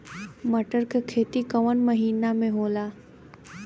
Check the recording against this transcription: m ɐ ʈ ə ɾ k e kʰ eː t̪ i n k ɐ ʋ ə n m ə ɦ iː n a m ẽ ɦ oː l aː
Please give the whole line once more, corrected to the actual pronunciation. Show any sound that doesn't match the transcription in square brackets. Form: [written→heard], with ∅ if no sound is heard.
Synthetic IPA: m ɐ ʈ ə ɾ k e kʰ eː t̪ i [n→∅] k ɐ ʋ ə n m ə ɦ iː n a m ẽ ɦ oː l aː